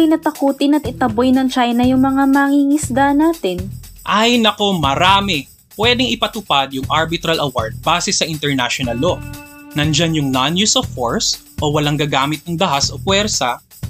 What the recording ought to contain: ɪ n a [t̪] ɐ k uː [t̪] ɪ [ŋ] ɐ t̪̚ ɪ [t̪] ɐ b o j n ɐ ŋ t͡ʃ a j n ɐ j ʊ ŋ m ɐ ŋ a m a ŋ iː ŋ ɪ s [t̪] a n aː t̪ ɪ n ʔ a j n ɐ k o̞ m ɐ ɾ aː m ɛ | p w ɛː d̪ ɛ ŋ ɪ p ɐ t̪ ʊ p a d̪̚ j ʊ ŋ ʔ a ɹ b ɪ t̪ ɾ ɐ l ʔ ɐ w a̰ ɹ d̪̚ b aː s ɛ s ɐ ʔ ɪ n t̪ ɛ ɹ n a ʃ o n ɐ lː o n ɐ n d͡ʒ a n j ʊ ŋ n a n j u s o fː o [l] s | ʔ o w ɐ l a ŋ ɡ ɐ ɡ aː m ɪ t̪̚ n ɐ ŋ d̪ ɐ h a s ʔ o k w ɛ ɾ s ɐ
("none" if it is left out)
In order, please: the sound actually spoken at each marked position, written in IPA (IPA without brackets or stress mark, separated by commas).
t̪, t̪, n, t̪, d̪, ɹ